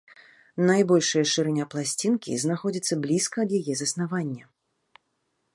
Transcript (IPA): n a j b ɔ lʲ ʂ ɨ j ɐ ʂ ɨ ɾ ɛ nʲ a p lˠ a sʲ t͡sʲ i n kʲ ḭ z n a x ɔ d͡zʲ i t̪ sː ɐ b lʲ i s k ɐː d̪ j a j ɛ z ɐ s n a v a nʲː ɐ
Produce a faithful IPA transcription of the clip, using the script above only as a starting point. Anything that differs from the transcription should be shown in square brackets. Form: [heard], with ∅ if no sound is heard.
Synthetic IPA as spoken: n a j b ɔ lʲ ʂ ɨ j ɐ ʂ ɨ ɾ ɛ nʲ a p lˠ a sʲ t͡sʲ i n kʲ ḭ z n a x ɔ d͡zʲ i t̪ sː ɐ b lʲ i s k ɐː d̪ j a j ɛ z ɐ s n a v a nʲː ɐ